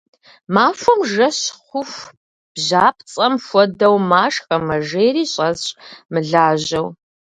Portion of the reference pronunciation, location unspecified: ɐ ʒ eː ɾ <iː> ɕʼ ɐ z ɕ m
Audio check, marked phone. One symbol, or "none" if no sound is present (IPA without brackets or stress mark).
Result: iː